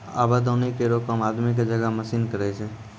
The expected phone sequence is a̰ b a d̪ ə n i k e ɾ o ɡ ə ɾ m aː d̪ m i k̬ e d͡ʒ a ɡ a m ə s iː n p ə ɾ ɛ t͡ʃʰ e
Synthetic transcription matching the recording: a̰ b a d̪ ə n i k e ɾ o k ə m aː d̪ m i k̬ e d͡ʒ ə ɡ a m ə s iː n k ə ɾ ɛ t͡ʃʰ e